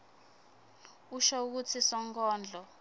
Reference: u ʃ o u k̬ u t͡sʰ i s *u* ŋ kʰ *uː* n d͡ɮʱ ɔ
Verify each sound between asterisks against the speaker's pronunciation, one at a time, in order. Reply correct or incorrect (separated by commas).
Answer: incorrect, incorrect